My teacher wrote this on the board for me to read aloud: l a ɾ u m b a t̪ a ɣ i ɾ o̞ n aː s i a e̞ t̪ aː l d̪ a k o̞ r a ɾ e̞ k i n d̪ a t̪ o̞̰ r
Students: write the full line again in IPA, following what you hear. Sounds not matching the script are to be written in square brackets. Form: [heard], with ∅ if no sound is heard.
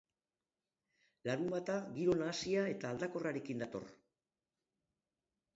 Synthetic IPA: l a ɾ u m b a t̪ a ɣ i ɾ o̞ n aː s i a e̞ t̪ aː l d̪ a k o̞ r a ɾ e̞ k i n d̪ a t̪ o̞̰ r